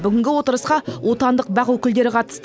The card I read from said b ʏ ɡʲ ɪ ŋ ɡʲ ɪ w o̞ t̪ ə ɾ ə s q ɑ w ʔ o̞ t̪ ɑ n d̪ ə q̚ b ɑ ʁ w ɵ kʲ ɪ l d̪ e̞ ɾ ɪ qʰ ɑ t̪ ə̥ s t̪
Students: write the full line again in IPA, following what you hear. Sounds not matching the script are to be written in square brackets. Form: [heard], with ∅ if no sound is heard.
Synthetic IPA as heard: b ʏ ɡʲ ɪ ŋ ɡʲ ɪ w o̞ t̪ ə ɾ ə s q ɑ w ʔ o̞ t̪ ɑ n d̪ ə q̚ b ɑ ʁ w ɵ kʲ ɪ l d̪ e̞ ɾ ɪ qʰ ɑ t̪ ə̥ s t̪